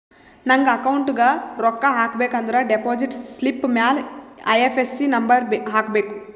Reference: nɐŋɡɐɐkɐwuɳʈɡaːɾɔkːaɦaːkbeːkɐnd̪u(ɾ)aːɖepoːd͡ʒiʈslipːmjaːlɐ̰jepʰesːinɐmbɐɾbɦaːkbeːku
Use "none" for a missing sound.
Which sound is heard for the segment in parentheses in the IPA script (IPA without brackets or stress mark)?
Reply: ɾ